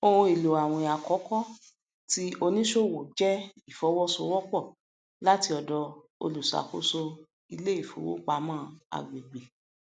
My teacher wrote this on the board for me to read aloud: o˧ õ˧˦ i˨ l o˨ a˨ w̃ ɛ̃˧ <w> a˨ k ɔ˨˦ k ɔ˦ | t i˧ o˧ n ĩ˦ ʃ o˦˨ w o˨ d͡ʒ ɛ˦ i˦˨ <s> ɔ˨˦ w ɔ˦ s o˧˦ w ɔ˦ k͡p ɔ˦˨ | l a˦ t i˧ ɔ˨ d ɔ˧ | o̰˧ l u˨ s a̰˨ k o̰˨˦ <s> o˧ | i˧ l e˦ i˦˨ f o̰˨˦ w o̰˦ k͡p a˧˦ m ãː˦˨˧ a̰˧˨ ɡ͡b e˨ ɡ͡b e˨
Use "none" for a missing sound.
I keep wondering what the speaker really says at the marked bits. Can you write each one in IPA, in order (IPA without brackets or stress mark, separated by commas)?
none, f, s